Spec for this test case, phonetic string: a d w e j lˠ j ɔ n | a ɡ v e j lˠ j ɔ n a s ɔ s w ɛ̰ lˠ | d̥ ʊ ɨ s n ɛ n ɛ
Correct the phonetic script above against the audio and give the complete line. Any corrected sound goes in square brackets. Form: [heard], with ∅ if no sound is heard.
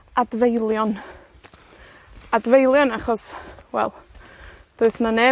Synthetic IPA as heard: a d [v] e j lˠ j ɔ n | a [d] v e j lˠ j ɔ n a [χ] ɔ s w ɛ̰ lˠ | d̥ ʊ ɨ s n [a] n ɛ